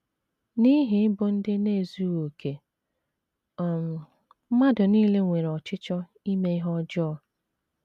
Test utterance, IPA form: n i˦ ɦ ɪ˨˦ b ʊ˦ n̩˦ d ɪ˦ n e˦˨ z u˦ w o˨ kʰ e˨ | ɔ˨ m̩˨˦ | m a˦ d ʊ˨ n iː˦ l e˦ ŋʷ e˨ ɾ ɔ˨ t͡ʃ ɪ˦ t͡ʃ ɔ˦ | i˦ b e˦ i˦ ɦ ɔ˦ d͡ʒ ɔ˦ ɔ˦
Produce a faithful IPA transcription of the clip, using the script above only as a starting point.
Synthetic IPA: n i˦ ɦ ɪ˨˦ b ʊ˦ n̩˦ d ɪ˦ n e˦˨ z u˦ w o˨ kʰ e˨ | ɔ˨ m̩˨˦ | m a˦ d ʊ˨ n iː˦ l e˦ ŋʷ e˨ ɾ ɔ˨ t͡ʃ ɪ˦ t͡ʃ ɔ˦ | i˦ m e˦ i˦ ɦ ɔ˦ d͡ʒ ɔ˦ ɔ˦